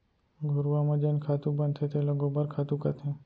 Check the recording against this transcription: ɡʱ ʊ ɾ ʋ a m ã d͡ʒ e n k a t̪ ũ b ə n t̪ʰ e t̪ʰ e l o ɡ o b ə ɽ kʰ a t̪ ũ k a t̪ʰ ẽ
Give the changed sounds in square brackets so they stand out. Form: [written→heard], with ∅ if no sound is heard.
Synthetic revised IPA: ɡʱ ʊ ɾ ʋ a m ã d͡ʒ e n [k→kʰ] a t̪ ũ b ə n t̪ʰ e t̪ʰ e l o ɡ o b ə [ɽ→ɾ] kʰ a t̪ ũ k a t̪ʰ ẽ